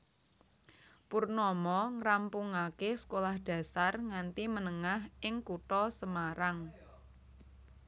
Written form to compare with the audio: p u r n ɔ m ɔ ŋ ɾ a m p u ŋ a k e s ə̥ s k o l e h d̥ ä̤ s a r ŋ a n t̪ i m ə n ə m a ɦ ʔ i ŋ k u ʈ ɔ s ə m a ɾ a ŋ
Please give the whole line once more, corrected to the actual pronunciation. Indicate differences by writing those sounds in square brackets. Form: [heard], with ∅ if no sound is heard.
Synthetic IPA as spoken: p u r n ɔ m ɔ ŋ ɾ a m p u ŋ a k e s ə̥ [∅] k o l [a] h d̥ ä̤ s a r ŋ a n t̪ i m ə n ə [ŋ] a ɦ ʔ [ɪ] ŋ k u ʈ ɔ s ə m a ɾ a ŋ